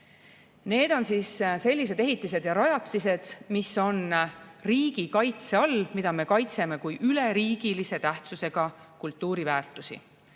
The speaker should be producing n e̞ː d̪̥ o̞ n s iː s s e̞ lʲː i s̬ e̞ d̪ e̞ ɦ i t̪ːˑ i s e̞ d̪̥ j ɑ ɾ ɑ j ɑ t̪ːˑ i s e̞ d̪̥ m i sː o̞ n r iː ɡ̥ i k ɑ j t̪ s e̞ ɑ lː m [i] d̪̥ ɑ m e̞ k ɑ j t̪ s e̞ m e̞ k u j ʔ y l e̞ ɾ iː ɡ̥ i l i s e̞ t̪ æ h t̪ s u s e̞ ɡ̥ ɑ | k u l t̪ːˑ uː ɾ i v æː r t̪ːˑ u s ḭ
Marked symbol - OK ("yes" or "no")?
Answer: yes